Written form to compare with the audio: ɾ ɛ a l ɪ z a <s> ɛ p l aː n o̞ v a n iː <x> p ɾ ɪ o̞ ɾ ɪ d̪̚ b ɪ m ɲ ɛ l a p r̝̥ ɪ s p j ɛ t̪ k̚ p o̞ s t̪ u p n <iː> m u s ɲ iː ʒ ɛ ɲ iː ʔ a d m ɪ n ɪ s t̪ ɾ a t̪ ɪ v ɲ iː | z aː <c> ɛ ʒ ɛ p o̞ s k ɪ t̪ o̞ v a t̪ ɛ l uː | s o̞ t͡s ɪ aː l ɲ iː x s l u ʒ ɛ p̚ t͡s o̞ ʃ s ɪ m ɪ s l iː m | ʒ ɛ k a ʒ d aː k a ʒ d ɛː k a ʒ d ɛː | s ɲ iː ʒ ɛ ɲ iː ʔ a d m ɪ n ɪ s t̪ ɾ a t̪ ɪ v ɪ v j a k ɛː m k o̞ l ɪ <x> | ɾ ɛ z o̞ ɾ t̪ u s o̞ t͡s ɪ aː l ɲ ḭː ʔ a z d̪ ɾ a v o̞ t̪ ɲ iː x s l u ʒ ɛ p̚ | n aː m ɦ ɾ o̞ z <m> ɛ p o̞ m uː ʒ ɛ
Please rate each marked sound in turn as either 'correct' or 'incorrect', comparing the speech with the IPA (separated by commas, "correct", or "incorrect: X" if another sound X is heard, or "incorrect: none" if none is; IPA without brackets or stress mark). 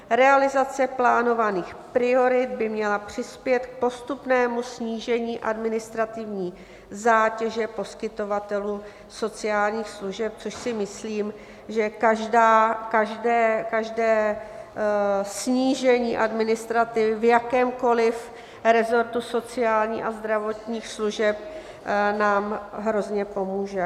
incorrect: t͡s, correct, incorrect: ɛː, correct, incorrect: f, incorrect: ɲ